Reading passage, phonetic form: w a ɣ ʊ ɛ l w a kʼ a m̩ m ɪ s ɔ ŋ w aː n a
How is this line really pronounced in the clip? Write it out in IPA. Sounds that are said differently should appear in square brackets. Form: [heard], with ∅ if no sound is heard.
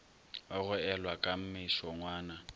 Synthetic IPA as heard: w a ɣ ʊ ɛ l w a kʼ a m̩ m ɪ [ʃ] ɔ ŋ w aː n a